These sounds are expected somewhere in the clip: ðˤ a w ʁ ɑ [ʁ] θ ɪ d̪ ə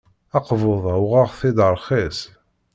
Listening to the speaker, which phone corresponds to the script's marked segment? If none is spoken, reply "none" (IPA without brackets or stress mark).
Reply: ʁ